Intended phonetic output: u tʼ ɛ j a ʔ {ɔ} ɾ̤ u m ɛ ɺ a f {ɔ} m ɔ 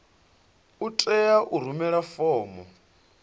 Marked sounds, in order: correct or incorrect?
incorrect: u, incorrect: ɔː

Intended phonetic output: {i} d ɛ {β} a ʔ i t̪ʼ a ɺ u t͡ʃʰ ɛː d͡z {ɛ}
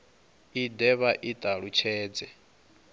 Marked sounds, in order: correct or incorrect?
correct, correct, correct

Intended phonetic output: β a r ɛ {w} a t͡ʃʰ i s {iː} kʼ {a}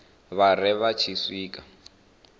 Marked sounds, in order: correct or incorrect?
incorrect: β, correct, correct

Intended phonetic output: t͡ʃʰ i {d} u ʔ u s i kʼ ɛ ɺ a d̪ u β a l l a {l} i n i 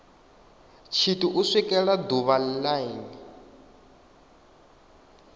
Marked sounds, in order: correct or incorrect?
incorrect: t, incorrect: none

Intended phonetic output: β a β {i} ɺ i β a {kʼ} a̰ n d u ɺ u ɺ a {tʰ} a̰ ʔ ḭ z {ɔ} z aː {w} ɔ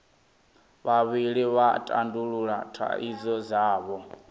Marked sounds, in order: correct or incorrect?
correct, incorrect: tʼ, correct, correct, incorrect: β

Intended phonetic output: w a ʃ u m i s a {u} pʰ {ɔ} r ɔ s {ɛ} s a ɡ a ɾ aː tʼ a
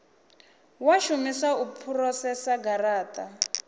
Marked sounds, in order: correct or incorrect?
correct, incorrect: u, correct

